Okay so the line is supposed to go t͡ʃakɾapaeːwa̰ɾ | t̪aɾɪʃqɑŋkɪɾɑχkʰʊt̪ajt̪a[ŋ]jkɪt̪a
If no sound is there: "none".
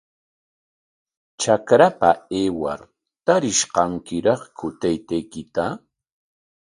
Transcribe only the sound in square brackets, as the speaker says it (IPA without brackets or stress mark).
none